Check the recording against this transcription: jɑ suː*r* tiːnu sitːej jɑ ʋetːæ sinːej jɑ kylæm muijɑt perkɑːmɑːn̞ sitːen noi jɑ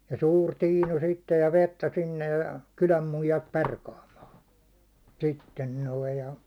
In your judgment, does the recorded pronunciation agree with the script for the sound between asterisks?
yes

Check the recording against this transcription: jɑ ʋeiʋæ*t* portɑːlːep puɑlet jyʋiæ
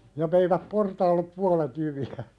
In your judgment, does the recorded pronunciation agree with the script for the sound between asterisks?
no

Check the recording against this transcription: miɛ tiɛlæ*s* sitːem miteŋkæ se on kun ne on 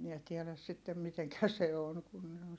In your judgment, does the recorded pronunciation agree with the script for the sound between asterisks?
yes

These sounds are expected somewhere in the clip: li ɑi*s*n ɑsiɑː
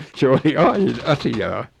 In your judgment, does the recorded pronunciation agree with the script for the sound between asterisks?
no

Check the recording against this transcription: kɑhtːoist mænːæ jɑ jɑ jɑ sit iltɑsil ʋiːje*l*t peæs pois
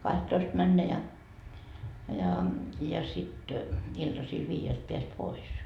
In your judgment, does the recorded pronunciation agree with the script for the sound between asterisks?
yes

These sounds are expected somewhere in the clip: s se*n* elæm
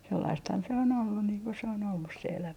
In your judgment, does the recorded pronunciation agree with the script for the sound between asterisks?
no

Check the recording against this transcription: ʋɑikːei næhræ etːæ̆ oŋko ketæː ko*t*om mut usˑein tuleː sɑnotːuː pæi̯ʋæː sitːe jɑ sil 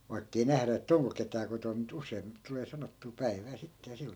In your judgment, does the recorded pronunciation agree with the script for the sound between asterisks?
yes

